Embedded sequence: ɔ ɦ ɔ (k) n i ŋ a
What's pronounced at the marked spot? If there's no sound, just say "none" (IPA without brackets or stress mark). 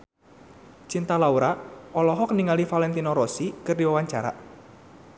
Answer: k